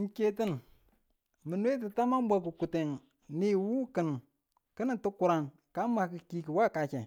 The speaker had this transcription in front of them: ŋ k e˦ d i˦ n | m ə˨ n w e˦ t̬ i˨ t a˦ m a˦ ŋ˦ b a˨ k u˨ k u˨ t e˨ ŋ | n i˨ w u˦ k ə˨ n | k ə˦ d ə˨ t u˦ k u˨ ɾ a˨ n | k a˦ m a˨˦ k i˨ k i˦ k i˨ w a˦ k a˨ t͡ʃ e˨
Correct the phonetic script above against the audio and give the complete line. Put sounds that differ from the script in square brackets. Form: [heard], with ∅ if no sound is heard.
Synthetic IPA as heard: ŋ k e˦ [t] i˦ n | m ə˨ n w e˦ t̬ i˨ t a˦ m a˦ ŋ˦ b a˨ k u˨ k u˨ t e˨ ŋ | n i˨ w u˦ k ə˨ n | k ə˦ [n] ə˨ t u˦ k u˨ ɾ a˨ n | k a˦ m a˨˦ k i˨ k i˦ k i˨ w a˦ k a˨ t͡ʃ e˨